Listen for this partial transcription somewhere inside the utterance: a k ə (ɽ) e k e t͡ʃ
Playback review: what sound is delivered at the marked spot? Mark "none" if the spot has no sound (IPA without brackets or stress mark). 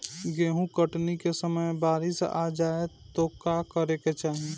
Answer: ɾ